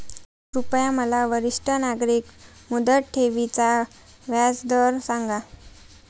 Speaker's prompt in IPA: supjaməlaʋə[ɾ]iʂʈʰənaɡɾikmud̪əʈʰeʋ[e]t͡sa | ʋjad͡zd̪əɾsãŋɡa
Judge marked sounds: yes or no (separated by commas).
yes, no